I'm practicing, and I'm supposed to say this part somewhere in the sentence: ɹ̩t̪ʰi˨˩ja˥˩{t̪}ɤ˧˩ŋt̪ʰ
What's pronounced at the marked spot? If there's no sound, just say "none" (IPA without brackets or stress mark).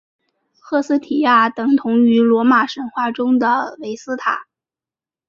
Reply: t̪